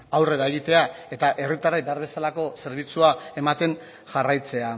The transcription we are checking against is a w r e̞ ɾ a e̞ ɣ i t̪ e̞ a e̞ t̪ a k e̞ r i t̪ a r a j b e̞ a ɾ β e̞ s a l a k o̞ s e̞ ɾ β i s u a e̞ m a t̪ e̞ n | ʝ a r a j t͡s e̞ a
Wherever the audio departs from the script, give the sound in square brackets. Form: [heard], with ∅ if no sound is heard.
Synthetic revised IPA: a w r e̞ ɾ a e̞ ɣ i t̪ e̞ a e̞ t̪ a [ʔ] e̞ r i t̪ a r a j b e̞ a ɾ β e̞ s a l a k o̞ s e̞ ɾ β i [t͡s] u a e̞ m a t̪ e̞ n | ʝ a r a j t͡s e̞ a